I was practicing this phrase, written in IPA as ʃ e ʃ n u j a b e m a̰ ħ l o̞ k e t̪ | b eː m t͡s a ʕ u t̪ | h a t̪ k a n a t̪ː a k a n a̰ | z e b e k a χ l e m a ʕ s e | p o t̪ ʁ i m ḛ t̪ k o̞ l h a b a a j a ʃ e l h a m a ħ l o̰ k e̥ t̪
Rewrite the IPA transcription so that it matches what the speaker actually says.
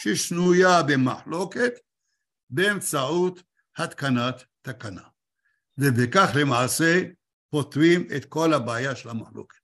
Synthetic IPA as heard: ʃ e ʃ n u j a b e m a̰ ħ l o̞ k e t̪ | b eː m t͡s a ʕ u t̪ | h a t̪ k a n a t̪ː a k a n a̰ | v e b e k a χ l e m a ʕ s e | p o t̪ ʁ i m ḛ t̪ k o̞ l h a b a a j a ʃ e l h a m a ħ l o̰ k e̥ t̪